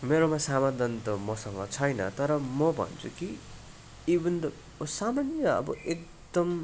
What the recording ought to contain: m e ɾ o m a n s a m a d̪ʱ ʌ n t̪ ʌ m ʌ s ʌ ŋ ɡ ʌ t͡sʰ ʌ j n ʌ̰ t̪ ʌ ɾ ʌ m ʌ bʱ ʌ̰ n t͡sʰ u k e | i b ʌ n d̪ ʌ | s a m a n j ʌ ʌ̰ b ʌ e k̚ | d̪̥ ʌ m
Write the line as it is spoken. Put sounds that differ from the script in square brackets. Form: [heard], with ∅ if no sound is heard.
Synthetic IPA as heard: m e ɾ o m a [∅] s a m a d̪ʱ ʌ n t̪ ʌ m ʌ s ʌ ŋ ɡ ʌ t͡sʰ ʌ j n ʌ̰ t̪ ʌ ɾ ʌ m ʌ bʱ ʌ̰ n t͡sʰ u k [i] | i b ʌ n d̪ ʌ | s a m a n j ʌ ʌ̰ b ʌ e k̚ | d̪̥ ʌ m

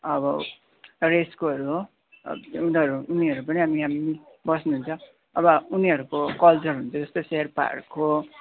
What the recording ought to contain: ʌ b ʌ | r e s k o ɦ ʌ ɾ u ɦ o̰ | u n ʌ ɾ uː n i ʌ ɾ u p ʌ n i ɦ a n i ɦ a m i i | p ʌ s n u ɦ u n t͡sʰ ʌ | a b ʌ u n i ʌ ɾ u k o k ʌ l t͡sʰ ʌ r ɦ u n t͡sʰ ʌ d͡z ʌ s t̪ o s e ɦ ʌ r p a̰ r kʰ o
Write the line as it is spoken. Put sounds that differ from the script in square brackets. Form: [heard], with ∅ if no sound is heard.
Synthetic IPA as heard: ʌ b ʌ | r e s k o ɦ ʌ ɾ u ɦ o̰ | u n ʌ ɾ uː n i ʌ ɾ u p ʌ n i ɦ a [m] i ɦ a m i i | [b] ʌ s n u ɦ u n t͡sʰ ʌ | [ʌ] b ʌ u n i ʌ ɾ u k o k ʌ l [t͡s] ʌ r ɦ u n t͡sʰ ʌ d͡z ʌ s t̪ o s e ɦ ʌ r p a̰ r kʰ o

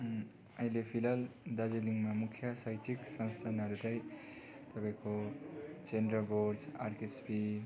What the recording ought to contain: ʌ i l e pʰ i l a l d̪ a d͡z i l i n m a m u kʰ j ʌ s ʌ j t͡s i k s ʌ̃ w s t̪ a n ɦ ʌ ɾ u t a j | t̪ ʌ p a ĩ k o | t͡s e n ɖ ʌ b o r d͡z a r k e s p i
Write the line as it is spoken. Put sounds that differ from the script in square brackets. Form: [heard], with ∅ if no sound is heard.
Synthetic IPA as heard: ʌ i l e pʰ i l a l d̪ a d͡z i l i [ŋ] m a m u kʰ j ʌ s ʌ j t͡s i k s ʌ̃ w s [t̪ʰ] a n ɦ ʌ ɾ u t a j | t̪ ʌ p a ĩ k o | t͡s e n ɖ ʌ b o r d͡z a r k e s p i

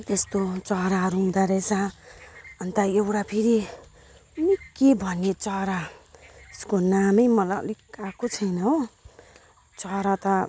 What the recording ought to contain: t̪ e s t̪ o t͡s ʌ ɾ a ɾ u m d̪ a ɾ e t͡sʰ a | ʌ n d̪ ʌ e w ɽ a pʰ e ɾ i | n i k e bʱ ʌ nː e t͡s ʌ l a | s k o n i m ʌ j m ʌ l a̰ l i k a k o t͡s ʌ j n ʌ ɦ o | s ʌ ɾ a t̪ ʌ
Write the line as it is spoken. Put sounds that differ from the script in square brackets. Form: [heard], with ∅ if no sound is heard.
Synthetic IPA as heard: t̪ e s t̪ o t͡s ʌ ɾ a ɾ u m d̪ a ɾ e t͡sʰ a | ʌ n [t̪] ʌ e w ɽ a pʰ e ɾ i | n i k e bʱ ʌ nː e t͡s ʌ [ɾ] a | s k o n [a] m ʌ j m ʌ l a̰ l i k a k o [t͡sʰ] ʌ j n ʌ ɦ o | [t͡s] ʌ ɾ a t̪ ʌ

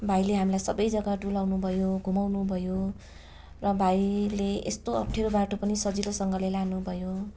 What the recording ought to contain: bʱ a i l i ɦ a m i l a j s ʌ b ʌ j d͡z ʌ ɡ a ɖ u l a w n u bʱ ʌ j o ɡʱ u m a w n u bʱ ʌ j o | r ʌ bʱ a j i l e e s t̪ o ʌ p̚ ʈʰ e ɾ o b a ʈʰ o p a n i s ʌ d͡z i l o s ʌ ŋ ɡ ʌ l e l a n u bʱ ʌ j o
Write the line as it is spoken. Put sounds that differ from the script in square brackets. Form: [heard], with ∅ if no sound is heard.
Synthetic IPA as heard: bʱ a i l [e] ɦ a m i l a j s ʌ b ʌ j d͡z ʌ ɡ a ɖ u l a w n u bʱ ʌ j o ɡʱ u m a w n u bʱ ʌ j o | r ʌ bʱ a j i l e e s t̪ o ʌ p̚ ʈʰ e ɾ o b a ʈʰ o p [ʌ] n i s ʌ d͡z i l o s ʌ ŋ ɡ ʌ l e l a n u bʱ ʌ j o

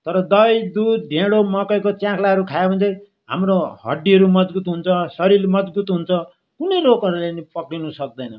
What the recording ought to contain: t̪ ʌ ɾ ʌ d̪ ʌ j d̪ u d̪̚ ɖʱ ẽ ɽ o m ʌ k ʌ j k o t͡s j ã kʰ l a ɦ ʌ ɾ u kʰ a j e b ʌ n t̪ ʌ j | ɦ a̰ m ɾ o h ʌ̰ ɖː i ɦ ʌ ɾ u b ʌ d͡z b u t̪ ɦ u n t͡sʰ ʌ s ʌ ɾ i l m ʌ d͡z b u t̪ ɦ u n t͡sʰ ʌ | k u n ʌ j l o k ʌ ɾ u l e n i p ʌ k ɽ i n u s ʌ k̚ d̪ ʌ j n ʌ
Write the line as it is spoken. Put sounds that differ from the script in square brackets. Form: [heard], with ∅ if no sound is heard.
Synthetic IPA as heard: t̪ ʌ ɾ ʌ d̪ ʌ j d̪ u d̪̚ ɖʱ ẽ ɽ o m ʌ k ʌ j k o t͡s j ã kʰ l a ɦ ʌ ɾ u kʰ a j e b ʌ n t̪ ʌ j | ɦ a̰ m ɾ o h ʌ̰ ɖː i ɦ ʌ ɾ u [m] ʌ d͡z b u t̪ ɦ u n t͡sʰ ʌ s ʌ ɾ i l m ʌ d͡z b u t̪ ɦ u n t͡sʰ ʌ | k u n ʌ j l o k ʌ ɾ u l e n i p ʌ k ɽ i n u s ʌ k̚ d̪ ʌ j n ʌ

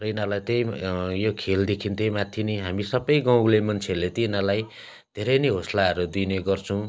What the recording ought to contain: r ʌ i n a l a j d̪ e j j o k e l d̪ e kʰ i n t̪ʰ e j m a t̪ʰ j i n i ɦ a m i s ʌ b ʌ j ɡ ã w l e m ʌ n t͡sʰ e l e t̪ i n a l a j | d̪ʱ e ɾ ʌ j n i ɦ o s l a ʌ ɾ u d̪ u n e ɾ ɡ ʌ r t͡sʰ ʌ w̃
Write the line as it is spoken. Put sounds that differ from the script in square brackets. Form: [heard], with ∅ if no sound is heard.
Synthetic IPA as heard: r ʌ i n a l a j [t̪] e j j o [kʰ] e l d̪ e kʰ i n [t̪] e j m a t̪ʰ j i n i ɦ a m i s ʌ b ʌ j ɡ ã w l e m ʌ n t͡sʰ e l e t̪ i n a l a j | d̪ʱ e ɾ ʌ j n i ɦ o s l a ʌ ɾ u d̪ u n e [∅] ɡ ʌ r t͡sʰ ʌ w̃

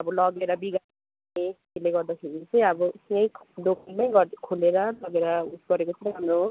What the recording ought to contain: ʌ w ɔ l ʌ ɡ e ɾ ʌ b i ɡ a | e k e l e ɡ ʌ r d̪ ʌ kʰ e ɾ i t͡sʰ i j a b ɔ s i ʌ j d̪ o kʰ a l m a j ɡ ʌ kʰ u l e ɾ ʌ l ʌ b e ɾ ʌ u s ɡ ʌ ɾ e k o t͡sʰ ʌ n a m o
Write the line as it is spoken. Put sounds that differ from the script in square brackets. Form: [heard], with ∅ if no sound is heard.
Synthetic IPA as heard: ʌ [b] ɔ l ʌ ɡ e ɾ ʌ b i ɡ a | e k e l e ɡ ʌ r d̪ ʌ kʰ e ɾ i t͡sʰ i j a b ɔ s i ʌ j d̪ o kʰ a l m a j ɡ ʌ kʰ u l e ɾ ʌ l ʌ [ɡ] e ɾ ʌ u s ɡ ʌ ɾ e k o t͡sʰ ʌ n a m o

